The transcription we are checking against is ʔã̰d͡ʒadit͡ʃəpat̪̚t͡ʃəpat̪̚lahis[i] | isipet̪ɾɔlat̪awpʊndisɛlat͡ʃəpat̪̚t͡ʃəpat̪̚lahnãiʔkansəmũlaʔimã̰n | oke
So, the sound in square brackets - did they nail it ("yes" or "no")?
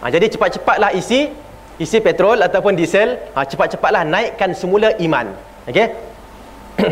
yes